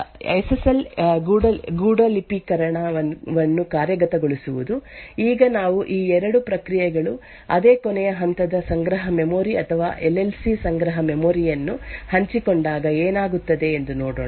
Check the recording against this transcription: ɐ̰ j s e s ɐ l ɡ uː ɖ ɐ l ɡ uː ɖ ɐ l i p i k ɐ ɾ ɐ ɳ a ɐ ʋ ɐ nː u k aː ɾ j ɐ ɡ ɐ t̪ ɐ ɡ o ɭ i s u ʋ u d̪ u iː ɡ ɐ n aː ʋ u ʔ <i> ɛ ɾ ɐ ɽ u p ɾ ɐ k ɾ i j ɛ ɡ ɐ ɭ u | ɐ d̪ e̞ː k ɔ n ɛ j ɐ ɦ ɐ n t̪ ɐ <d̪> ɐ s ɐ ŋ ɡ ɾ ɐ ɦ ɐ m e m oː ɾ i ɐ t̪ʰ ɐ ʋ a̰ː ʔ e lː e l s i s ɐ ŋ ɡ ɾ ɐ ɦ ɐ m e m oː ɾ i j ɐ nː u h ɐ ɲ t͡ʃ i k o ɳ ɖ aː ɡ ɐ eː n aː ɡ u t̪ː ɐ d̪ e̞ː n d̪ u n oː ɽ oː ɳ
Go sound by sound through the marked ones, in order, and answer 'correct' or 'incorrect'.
incorrect: iː, correct

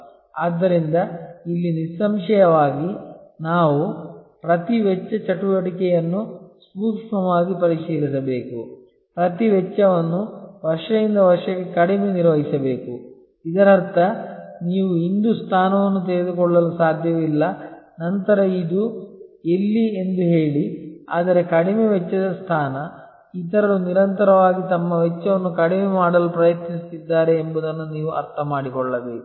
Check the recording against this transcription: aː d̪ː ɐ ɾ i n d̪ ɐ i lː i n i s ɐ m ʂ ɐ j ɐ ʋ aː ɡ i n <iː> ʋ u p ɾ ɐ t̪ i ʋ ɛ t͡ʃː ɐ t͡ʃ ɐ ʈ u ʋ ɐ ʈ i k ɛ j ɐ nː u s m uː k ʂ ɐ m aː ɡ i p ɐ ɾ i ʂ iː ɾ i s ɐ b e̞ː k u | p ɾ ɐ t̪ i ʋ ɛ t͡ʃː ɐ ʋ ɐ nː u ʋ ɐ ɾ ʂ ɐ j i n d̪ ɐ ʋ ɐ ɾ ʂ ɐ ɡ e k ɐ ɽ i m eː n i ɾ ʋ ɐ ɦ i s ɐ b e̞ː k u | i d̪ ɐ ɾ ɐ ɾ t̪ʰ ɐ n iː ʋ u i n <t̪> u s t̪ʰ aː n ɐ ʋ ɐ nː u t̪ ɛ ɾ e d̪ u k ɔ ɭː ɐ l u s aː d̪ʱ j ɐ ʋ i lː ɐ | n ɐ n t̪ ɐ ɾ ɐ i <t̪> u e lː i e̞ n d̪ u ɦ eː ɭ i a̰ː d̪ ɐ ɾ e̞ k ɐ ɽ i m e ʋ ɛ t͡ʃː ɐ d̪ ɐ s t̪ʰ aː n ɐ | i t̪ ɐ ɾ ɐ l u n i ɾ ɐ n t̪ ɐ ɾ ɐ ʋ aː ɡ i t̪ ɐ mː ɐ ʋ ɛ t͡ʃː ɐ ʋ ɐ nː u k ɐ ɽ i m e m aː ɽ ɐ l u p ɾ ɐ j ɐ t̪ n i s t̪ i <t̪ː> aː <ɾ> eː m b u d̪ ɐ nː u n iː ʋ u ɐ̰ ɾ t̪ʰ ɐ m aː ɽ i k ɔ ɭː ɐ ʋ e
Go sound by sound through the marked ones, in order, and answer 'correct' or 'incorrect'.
incorrect: aː, incorrect: d̪, incorrect: d̪, incorrect: d̪ː, correct

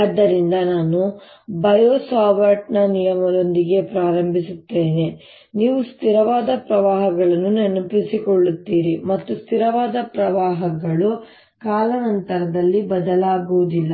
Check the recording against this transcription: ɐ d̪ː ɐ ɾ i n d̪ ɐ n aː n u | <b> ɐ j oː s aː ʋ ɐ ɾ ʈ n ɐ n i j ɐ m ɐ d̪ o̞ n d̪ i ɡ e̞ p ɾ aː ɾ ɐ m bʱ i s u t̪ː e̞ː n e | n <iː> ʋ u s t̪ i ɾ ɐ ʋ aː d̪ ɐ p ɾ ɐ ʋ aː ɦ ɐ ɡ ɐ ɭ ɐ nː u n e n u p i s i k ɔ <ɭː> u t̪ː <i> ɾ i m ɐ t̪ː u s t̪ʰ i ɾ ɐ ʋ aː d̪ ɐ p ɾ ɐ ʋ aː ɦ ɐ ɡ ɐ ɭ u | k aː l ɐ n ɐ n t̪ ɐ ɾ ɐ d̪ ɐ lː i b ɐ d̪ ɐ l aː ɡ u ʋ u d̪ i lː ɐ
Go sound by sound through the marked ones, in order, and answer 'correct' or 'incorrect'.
correct, correct, correct, incorrect: iː

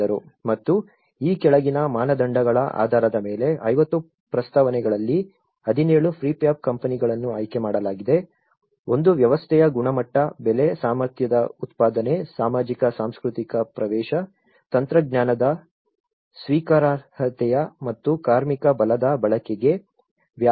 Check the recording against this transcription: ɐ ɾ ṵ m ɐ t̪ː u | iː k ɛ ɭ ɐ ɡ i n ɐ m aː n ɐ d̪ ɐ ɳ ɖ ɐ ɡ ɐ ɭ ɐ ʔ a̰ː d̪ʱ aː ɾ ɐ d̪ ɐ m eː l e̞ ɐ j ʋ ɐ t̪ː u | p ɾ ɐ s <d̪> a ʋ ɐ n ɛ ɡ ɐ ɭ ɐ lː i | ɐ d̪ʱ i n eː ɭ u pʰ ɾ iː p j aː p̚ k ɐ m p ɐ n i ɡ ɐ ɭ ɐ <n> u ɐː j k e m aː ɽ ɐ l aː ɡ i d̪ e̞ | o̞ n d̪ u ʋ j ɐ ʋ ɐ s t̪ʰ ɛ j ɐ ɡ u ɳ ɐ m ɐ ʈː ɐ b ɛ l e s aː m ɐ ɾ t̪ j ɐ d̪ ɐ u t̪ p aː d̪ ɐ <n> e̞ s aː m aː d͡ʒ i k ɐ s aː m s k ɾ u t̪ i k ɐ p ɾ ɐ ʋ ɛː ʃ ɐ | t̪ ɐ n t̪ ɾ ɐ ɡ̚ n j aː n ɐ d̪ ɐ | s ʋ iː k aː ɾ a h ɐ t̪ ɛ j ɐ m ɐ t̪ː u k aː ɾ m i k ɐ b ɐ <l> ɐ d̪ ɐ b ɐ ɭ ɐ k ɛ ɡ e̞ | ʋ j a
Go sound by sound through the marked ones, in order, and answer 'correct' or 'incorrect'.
incorrect: t̪, incorrect: nː, correct, correct

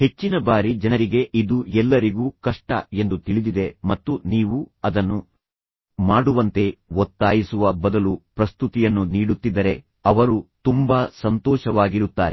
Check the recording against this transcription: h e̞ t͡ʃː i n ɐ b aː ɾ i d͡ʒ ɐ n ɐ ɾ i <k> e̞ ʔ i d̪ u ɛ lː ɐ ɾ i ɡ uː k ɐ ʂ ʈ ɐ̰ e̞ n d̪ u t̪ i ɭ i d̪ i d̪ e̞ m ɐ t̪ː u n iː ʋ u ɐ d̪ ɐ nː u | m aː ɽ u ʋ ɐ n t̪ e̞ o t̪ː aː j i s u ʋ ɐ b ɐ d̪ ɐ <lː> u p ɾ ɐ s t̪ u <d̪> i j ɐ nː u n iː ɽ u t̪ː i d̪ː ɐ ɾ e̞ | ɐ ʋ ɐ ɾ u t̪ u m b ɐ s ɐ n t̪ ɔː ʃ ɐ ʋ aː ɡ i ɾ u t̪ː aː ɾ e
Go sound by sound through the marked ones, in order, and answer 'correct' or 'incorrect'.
incorrect: ɡ, incorrect: l, incorrect: t̪

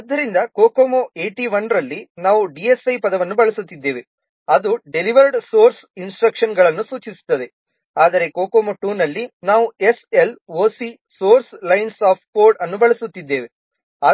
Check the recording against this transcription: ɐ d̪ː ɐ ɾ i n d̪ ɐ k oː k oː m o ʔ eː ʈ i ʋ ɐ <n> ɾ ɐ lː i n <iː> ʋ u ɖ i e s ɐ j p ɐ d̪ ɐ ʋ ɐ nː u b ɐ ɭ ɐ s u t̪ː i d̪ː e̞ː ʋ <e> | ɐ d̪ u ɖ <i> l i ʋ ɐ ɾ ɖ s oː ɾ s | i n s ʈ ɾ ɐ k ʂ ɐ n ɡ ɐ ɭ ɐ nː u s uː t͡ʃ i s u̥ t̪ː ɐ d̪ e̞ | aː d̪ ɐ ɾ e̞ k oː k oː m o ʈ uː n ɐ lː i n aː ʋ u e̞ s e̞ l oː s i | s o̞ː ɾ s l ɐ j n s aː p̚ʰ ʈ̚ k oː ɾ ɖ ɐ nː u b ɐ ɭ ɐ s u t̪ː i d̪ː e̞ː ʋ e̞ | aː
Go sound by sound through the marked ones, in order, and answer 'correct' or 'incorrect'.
correct, incorrect: aː, correct, incorrect: e

